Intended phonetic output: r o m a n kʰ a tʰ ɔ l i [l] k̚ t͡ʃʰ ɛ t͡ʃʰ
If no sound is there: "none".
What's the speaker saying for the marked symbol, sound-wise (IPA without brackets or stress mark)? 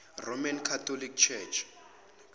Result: none